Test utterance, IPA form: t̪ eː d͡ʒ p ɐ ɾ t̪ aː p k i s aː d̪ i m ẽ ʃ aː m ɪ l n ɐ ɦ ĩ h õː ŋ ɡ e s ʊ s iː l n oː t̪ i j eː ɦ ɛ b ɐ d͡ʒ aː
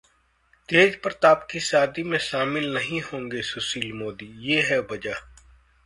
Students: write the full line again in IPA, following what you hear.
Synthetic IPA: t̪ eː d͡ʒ p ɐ ɾ t̪ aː p k i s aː d̪ i m ẽ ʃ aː m ɪ l n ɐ ɦ ĩ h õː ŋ ɡ e s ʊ s iː l m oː d̪ i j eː ɦ ɛ b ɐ d͡ʒ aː

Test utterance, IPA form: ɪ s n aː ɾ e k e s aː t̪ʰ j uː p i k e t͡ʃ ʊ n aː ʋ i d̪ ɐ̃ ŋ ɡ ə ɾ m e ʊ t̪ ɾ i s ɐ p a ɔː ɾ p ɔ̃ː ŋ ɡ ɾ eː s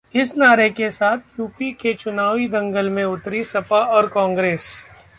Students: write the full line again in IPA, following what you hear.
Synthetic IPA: ɪ s n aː ɾ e k e s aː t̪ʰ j uː p i k e t͡ʃ ʊ n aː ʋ i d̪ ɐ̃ ŋ ɡ ə l m ẽ ʊ t̪ ɾ i s ɐ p a ɔː ɾ k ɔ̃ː ŋ ɡ ɾ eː s

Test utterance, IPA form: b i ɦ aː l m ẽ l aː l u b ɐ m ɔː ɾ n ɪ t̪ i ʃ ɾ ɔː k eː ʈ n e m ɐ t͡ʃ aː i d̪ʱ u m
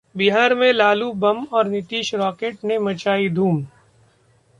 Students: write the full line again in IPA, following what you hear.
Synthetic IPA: b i ɦ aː ɾ m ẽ l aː l u b ɐ m ɔː ɾ n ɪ t̪ iː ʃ ɾ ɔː k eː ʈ n e m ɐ t͡ʃ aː i d̪ʱ uː m

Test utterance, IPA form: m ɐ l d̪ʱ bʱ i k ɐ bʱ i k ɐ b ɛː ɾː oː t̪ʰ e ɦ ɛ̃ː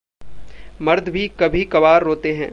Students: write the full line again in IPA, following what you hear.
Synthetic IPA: m ɐ ɾ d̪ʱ bʱ i k ɐ bʱ i k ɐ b aː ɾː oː t̪ e ɦ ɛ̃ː

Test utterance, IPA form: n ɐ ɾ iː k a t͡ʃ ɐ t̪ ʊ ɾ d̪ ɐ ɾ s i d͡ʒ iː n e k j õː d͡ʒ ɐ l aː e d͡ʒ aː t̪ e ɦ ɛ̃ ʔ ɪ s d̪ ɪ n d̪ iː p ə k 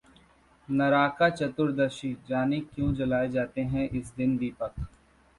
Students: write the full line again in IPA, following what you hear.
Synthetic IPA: n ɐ ɾ aː k a t͡ʃ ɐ t̪ ʊ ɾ d̪ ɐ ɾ ʃ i d͡ʒ aː n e k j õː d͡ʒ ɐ l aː e d͡ʒ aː t̪ e ɦ ɛ̃ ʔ ɪ s d̪ ɪ n d̪ iː p ə k

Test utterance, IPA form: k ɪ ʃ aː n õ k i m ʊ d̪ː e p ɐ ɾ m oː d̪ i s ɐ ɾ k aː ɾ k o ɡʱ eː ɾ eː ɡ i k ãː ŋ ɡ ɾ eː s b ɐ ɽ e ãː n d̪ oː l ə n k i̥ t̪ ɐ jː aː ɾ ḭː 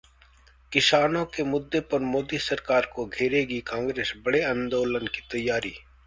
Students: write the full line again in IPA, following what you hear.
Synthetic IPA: k ɪ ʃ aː n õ k e m ʊ d̪ː e p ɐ ɾ m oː d̪ i s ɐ ɾ k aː ɾ k o ɡʱ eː ɾ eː ɡ i k ãː ŋ ɡ ɾ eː s b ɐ ɽ e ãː n d̪ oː l ə n k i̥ t̪ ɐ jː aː ɾ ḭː

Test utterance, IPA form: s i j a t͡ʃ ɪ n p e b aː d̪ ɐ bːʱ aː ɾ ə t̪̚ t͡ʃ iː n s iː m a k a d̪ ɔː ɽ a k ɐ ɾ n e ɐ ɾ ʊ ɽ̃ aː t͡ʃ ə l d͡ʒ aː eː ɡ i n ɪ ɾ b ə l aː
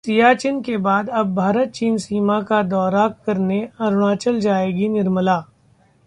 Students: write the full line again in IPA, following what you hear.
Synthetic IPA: s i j a t͡ʃ ɪ n k e b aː d̪ ɐ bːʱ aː ɾ ə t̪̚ t͡ʃ iː n s iː m a k a d̪ ɔː ɾ a k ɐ ɾ n e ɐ ɾ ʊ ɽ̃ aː t͡ʃ ə l d͡ʒ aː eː ɡ i n ɪ ɾ m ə l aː

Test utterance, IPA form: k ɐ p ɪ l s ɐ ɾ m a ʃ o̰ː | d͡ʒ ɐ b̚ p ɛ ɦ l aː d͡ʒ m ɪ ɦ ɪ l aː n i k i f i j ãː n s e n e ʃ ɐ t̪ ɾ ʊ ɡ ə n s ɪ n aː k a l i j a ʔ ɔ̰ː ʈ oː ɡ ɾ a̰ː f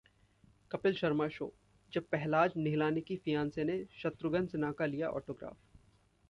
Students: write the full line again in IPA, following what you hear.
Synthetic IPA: k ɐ p ɪ l ʃ ɐ ɾ m a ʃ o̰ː | d͡ʒ ɐ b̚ p ɛ ɦ l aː d͡ʒ n ɪ ɦ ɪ l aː n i k i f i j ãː n s e n e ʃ ɐ t̪ ɾ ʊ ɡ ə n s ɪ n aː k a l i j a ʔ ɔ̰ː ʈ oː ɡ ɾ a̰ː f

